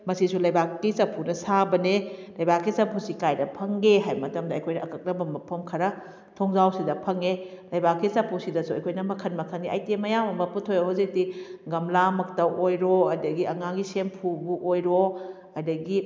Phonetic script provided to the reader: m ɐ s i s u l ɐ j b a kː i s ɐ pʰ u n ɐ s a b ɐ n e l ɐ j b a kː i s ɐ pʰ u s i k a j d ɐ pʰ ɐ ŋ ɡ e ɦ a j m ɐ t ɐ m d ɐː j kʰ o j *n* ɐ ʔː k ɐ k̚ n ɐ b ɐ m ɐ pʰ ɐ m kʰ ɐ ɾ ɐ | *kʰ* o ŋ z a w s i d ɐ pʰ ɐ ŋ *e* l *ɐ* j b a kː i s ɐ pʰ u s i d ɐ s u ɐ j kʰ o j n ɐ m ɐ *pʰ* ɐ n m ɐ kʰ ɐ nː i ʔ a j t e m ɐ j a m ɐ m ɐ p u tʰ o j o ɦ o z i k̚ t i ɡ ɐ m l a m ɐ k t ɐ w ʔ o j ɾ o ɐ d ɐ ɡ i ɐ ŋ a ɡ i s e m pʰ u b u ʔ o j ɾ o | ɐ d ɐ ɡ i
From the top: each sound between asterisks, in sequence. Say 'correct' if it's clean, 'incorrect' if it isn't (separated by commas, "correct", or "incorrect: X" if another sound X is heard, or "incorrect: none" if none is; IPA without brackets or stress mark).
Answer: correct, incorrect: tʰ, correct, correct, incorrect: kʰ